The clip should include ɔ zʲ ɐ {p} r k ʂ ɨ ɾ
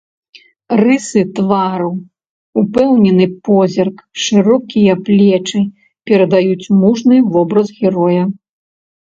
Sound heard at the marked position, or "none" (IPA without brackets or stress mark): none